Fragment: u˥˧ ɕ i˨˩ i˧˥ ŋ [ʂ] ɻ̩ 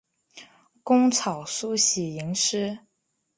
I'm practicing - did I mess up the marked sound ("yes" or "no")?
no